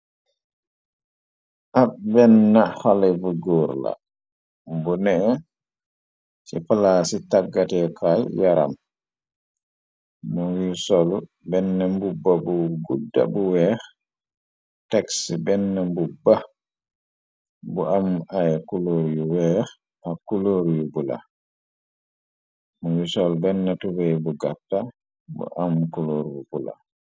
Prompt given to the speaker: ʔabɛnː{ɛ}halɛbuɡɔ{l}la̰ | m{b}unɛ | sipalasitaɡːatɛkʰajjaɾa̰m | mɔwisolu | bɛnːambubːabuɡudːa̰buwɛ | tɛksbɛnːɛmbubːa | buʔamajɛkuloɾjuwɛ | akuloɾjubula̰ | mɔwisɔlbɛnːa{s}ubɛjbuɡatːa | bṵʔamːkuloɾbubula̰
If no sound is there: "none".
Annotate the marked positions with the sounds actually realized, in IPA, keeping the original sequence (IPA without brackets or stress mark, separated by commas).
a, ɾ, b, t